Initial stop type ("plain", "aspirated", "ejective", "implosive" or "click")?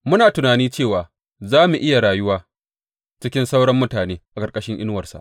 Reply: plain